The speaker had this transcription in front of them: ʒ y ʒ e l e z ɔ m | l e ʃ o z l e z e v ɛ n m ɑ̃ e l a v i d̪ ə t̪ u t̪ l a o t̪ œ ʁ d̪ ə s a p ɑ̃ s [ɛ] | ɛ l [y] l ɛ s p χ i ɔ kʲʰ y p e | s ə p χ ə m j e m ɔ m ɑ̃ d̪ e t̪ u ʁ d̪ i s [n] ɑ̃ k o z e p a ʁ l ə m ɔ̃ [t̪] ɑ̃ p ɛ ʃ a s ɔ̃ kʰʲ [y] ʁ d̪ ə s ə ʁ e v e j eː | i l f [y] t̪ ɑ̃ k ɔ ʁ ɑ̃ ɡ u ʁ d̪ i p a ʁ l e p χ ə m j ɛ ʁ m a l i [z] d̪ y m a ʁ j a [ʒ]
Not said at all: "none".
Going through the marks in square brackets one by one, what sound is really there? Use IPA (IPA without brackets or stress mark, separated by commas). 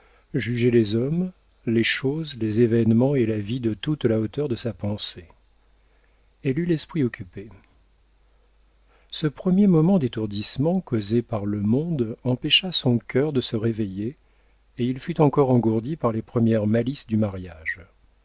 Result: e, y, m, d̪, œ, y, s, ʒ